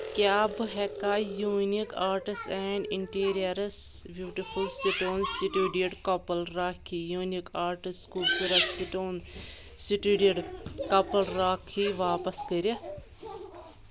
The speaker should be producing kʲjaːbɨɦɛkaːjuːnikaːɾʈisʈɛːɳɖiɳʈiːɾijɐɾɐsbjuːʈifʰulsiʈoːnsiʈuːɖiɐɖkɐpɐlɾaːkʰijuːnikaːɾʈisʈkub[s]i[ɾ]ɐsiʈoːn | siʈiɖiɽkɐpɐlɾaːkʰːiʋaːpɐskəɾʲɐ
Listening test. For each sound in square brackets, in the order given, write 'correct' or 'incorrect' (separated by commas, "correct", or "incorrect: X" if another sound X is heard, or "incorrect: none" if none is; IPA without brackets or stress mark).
correct, correct